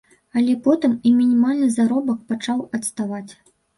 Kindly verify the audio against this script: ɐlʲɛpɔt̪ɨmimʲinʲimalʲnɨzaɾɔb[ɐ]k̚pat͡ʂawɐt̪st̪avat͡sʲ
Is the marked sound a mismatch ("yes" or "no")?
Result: no